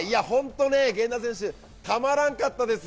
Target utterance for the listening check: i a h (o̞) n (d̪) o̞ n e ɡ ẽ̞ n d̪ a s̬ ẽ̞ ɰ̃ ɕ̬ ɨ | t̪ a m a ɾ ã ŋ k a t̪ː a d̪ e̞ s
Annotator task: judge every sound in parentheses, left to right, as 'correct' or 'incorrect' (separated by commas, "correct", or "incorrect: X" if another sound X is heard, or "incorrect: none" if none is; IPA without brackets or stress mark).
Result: incorrect: õ̞, incorrect: t̪